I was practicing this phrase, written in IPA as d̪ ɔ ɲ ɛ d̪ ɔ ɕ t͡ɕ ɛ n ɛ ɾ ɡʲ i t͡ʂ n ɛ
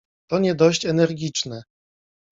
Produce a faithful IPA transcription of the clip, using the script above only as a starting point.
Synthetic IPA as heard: t̪ ɔ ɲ ɛ d̪ ɔ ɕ t͡ɕ ɛ n ɛ ɾ ɡʲ i t͡ʂ n ɛ